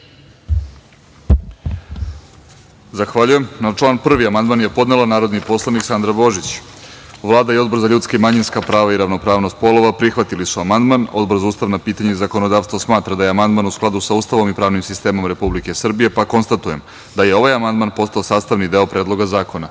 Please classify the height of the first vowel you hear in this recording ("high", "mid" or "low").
low